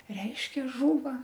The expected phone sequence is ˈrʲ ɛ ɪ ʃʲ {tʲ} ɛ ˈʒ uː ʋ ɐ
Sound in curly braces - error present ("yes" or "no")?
yes